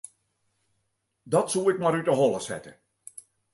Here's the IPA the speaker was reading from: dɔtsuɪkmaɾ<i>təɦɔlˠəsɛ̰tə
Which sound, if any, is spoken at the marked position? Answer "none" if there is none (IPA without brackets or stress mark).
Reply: y